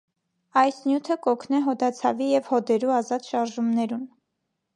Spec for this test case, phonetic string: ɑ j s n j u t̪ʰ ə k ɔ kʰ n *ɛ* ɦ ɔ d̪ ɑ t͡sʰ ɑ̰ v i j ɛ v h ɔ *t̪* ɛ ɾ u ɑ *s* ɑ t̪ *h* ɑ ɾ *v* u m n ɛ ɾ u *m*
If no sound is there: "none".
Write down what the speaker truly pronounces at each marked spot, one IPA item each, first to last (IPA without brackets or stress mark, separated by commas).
ɛ, d̪, z, ʃ, ʒ, n